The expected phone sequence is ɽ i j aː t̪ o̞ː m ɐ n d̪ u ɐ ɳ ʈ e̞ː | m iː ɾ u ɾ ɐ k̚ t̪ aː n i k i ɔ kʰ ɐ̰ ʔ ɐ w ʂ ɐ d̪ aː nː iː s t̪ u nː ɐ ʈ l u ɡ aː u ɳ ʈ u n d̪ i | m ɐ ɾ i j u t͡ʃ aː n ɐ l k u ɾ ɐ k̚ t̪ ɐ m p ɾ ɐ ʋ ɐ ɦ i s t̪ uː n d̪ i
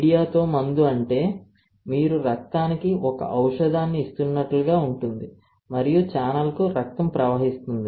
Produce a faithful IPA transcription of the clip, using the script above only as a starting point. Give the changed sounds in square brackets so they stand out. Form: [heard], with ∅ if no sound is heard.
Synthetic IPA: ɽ i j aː t̪ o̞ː m ɐ n d̪ u ɐ ɳ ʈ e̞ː | m iː ɾ u ɾ ɐ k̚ t̪ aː n i k i ɔ [k] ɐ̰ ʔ ɐ w ʂ ɐ d̪ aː nː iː s t̪ u nː ɐ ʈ l u ɡ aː u ɳ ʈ u n d̪ i | m ɐ ɾ i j u t͡ʃ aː n ɐ l k u ɾ ɐ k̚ t̪ ɐ m p ɾ ɐ ʋ ɐ ɦ i s t̪ [u] n d̪ i